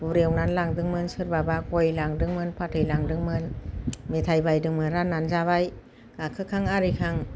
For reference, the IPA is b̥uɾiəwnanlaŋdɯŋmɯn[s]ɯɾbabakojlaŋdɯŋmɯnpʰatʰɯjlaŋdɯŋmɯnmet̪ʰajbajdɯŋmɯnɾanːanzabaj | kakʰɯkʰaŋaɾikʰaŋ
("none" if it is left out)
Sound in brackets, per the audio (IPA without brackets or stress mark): s